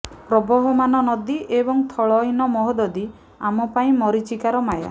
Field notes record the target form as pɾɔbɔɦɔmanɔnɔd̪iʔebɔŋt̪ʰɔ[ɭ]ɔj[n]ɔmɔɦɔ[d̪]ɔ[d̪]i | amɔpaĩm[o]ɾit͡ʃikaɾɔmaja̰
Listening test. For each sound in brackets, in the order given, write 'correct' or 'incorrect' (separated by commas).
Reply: correct, correct, correct, correct, incorrect